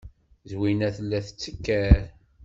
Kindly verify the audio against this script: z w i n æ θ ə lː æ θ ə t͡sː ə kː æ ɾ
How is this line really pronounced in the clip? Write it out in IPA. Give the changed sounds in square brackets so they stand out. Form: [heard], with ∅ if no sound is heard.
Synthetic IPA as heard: z w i n æ θ ə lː æ θ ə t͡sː ə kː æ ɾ

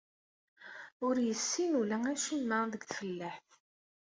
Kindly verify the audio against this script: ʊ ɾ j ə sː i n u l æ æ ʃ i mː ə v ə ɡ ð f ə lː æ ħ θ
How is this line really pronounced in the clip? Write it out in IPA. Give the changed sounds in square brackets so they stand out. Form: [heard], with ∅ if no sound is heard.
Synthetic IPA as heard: ʊ ɾ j ə sː i n u l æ æ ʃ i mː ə [ð] ə ɡ [θ] f ə lː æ ħ θ

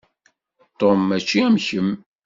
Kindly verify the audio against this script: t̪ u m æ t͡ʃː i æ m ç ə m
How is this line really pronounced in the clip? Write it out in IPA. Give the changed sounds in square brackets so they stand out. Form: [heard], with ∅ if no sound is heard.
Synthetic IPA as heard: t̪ [o] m æ t͡ʃː i æ m ç ə m

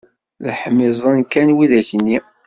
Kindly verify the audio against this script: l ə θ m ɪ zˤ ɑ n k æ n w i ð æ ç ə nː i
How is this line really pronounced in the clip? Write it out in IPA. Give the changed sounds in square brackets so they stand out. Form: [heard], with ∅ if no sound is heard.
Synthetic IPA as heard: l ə [ħ] m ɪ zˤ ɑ n k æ n w i ð æ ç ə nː i

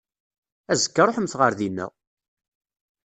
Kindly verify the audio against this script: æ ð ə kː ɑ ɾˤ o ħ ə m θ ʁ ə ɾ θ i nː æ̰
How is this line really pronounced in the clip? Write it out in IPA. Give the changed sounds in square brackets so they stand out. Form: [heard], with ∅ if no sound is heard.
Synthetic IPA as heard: æ [z] ə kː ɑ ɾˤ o ħ ə m θ ʁ ə ɾ [ð] i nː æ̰

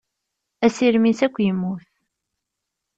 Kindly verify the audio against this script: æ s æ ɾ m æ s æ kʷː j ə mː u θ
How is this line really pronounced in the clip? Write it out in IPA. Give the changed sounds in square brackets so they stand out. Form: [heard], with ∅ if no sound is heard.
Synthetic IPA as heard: æ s [i] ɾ m [i] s æ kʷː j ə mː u θ

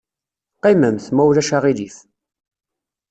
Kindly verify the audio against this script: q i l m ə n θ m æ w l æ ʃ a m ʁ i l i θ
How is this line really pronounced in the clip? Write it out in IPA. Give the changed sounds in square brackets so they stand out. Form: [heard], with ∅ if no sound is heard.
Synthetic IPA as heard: q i [∅] m ə [m] θ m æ w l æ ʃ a [∅] ʁ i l i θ

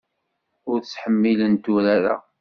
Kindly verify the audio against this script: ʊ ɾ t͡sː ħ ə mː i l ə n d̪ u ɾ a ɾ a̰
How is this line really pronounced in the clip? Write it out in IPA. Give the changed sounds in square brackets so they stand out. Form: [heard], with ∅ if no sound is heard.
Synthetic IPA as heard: ʊ ɾ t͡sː ħ ə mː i l ə n [t̪] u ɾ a ɾ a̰

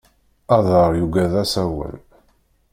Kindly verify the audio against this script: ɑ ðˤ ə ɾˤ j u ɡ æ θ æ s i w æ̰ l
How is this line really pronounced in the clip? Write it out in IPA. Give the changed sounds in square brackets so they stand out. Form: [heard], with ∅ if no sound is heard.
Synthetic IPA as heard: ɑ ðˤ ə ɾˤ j u ɡ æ [ð] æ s [æ] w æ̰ l

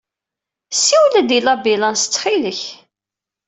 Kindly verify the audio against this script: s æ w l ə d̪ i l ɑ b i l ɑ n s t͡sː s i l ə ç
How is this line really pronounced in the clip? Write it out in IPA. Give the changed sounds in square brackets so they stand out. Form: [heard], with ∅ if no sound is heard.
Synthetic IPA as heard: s [i] w l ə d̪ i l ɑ b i l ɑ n s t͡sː [χ] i l ə ç

